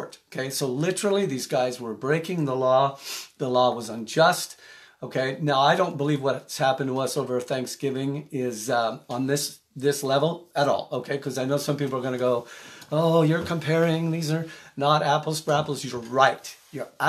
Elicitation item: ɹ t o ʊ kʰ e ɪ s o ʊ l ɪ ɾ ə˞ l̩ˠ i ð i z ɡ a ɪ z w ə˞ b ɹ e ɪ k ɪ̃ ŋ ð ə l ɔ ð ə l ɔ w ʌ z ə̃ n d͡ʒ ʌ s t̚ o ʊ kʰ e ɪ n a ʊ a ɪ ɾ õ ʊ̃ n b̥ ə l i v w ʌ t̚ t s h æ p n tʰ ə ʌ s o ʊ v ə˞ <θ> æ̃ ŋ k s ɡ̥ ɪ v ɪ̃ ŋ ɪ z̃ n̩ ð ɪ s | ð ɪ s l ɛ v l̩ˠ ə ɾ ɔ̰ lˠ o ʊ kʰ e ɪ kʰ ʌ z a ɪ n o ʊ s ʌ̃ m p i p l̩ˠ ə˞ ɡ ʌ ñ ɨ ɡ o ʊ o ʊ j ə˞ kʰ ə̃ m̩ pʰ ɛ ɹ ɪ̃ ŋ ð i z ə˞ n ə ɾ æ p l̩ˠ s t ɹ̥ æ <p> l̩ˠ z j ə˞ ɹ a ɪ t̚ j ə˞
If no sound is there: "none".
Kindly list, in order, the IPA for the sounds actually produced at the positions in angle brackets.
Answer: θ, p

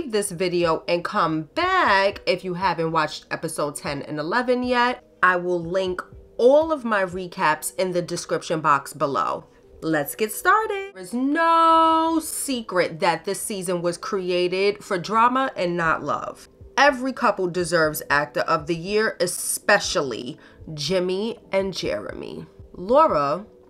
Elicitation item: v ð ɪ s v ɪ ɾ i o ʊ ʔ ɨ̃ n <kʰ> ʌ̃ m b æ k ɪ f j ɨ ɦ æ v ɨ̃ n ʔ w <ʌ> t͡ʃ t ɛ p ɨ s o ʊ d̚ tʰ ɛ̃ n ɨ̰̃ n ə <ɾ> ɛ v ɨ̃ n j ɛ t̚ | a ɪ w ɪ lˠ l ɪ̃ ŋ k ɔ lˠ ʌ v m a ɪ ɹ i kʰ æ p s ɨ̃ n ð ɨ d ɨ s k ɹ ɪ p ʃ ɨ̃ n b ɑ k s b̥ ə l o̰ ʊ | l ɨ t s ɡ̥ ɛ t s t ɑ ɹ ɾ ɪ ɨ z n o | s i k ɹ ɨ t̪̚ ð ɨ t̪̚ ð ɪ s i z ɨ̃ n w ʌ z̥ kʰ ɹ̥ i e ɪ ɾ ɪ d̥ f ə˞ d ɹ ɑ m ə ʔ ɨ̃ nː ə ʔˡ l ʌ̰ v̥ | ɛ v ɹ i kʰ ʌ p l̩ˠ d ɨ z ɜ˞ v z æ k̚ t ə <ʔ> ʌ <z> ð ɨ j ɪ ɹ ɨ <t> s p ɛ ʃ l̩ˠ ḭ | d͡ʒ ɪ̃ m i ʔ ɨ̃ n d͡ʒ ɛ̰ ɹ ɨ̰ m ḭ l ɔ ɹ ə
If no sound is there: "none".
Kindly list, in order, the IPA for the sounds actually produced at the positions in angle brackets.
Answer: kʰ, ɑ, l, ʔ, v, s

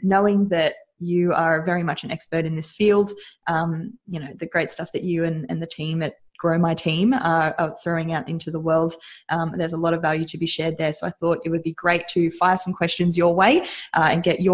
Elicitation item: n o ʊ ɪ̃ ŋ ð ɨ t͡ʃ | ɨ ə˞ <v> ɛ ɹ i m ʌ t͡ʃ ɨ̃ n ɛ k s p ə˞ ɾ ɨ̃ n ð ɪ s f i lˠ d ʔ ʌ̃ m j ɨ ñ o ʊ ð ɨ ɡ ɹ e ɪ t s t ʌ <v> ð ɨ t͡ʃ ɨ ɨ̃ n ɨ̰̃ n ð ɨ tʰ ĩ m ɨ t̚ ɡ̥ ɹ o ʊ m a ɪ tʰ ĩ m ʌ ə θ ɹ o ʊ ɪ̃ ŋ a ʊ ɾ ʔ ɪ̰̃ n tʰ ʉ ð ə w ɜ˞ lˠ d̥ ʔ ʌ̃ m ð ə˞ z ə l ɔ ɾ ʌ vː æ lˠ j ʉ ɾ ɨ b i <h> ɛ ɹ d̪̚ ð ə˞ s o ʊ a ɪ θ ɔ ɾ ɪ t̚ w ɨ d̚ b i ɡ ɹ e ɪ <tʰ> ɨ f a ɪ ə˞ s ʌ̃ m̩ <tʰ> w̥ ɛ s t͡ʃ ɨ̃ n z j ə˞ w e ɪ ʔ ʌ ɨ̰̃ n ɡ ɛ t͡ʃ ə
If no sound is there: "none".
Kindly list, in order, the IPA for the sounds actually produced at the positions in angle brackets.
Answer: v, f, ʃ, tʰ, kʰ

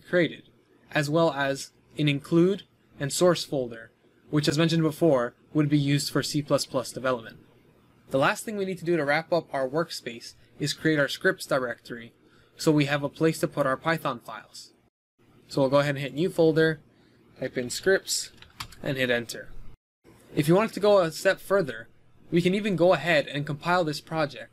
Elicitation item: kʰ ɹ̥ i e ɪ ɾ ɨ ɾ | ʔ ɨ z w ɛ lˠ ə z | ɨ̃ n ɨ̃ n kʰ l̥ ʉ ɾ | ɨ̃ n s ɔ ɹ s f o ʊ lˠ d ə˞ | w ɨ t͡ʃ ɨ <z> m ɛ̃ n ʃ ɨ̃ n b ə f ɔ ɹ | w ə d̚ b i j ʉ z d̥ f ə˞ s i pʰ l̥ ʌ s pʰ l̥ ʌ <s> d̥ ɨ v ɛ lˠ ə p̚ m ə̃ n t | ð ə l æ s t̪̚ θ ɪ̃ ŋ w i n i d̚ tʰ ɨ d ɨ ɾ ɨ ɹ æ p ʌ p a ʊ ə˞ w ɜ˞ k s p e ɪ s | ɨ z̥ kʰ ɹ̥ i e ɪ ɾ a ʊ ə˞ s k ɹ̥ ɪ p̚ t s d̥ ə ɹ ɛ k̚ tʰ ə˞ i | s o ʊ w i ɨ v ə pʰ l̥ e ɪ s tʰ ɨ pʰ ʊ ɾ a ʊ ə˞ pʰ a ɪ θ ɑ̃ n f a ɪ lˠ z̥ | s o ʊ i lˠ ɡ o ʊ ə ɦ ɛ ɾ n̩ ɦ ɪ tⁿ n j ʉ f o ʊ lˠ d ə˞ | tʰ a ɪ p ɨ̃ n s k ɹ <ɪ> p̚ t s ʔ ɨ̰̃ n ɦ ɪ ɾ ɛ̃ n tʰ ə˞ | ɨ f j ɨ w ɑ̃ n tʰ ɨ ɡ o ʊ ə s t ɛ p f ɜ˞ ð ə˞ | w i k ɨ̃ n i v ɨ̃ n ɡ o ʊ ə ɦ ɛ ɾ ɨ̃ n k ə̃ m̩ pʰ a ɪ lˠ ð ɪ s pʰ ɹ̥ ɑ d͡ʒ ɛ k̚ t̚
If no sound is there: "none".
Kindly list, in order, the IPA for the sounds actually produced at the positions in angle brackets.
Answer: z, s, ɪ

